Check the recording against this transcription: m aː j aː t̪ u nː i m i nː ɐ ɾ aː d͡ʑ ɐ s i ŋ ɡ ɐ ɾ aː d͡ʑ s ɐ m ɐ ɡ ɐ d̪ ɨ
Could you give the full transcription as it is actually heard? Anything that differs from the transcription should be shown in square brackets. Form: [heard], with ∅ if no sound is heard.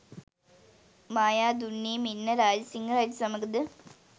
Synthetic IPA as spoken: m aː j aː [d̪] u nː i m i nː ɐ ɾ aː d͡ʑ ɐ s i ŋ ɡ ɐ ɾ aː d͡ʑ s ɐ m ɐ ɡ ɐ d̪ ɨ